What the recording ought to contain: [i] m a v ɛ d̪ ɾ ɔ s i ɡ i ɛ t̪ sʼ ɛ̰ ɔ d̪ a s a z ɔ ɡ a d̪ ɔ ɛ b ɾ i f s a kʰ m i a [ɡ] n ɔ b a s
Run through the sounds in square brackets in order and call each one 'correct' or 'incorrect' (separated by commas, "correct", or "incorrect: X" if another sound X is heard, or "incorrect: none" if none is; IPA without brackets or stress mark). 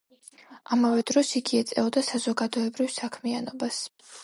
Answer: incorrect: a, incorrect: none